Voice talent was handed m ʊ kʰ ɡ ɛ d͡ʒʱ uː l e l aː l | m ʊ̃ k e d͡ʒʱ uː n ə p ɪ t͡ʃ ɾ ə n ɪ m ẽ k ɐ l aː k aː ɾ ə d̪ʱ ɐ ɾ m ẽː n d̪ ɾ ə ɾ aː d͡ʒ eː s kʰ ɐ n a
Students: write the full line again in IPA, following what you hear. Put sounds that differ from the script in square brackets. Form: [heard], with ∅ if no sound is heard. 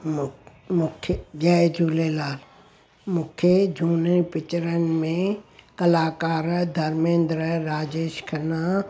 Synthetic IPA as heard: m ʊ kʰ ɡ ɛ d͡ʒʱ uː l e l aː l | m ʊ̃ [kʰ] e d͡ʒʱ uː n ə p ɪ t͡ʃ ɾ ə n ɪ m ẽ k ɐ l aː k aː ɾ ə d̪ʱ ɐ ɾ m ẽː n d̪ ɾ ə ɾ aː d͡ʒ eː [ʃ] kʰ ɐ n a